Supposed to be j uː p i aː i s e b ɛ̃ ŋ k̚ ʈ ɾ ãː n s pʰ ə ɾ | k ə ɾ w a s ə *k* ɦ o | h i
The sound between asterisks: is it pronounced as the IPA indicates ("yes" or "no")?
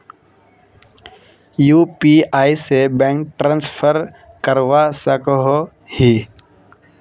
yes